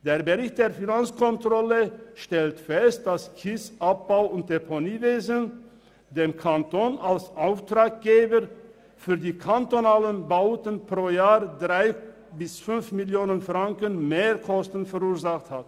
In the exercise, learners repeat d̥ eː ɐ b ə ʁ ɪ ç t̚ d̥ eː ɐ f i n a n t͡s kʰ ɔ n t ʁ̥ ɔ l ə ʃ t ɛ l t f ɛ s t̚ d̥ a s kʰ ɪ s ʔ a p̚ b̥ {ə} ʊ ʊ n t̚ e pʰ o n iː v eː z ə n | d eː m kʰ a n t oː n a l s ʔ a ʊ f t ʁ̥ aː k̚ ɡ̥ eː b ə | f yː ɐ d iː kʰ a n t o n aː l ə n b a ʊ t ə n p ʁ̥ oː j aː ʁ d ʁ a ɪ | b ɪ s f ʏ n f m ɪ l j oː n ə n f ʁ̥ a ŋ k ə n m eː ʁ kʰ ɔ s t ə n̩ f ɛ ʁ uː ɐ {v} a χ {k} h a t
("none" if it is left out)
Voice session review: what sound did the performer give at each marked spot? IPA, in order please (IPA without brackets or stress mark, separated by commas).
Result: a, z, t